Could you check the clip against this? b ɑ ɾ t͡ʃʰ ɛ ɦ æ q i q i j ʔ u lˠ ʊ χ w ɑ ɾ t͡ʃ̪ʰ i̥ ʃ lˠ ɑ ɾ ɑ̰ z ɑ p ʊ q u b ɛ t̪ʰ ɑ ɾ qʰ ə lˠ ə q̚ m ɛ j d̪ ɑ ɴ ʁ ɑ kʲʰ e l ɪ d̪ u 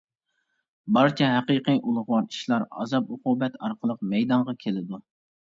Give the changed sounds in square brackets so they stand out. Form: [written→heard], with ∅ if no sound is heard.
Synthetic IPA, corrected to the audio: b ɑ ɾ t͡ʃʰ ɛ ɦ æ q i q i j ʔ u lˠ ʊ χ w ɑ ɾ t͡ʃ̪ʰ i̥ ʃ lˠ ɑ ɾ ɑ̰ z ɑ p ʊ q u b ɛ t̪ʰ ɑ ɾ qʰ ə lˠ ə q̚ m ɛ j d̪ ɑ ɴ ʁ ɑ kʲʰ e l ɪ d̪ u